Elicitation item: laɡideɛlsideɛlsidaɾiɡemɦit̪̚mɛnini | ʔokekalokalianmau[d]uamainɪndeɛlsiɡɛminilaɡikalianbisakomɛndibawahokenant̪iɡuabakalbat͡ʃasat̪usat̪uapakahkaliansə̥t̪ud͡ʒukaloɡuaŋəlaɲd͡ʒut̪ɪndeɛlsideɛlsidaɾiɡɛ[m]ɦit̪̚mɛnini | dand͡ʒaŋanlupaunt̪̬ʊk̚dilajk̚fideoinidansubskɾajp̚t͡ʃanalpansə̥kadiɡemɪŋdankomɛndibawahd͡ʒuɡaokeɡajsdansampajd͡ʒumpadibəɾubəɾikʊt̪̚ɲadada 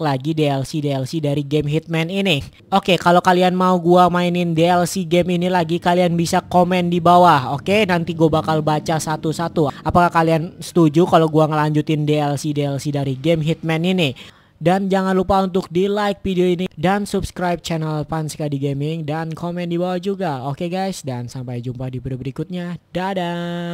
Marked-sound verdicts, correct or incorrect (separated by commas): incorrect, correct